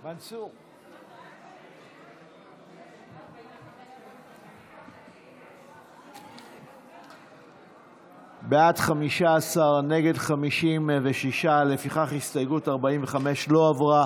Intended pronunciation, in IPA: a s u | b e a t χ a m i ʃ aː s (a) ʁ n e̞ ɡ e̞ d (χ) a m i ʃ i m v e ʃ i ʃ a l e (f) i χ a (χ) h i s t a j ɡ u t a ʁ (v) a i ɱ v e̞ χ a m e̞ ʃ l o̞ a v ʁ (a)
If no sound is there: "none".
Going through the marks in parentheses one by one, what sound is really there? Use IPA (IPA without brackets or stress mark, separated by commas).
a, χ, f, χ, b, a